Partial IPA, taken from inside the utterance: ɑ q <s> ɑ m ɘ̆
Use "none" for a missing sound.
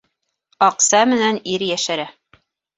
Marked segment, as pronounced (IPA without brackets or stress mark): s